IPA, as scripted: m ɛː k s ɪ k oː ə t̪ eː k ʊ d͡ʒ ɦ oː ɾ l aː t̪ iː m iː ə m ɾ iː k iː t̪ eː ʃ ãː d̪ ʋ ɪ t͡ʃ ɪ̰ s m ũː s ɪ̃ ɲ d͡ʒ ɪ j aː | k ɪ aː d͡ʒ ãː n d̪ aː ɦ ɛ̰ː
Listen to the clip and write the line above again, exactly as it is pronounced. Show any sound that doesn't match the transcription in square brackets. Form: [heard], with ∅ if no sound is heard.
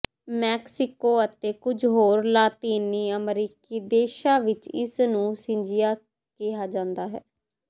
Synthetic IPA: m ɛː k s ɪ k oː ə t̪ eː k ʊ d͡ʒ ɦ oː ɾ l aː t̪ iː [n] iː ə m ɾ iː k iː [d̪] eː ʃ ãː [∅] ʋ ɪ t͡ʃ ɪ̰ s [n] ũː s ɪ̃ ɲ d͡ʒ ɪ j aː | k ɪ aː d͡ʒ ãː n d̪ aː ɦ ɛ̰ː